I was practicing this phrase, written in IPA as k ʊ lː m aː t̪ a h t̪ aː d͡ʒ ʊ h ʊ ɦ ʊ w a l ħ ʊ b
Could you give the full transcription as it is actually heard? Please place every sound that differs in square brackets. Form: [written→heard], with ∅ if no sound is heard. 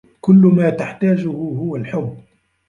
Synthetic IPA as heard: k ʊ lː m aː t̪ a [h→ħ] t̪ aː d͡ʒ ʊ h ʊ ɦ ʊ w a l ħ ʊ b